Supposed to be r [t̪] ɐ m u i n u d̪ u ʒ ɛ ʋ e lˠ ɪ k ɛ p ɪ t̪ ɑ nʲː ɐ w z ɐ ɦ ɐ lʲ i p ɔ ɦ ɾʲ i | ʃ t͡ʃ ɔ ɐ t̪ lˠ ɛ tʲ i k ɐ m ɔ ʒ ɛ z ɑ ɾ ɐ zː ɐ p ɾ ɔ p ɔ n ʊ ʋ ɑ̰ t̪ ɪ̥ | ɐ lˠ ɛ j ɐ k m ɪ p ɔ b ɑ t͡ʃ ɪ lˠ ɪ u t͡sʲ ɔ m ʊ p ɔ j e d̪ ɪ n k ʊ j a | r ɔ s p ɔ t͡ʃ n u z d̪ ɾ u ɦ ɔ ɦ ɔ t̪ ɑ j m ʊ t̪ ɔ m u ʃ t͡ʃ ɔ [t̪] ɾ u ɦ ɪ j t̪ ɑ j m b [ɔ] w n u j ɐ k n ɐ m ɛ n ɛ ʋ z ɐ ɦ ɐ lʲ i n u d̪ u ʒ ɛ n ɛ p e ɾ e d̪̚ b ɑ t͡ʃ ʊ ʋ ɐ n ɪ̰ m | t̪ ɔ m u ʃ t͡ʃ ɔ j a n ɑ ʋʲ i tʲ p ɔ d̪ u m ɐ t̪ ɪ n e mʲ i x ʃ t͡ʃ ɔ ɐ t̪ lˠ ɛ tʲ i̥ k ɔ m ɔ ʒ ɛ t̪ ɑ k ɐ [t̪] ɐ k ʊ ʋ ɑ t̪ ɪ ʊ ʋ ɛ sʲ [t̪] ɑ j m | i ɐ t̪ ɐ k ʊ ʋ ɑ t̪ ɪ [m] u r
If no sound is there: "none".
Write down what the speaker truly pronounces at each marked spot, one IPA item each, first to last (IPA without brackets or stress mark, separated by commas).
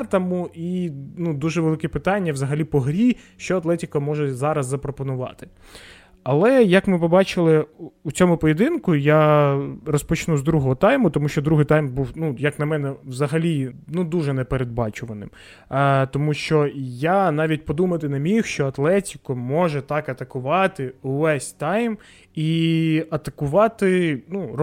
t̪, d̪, u, t̪, t̪, n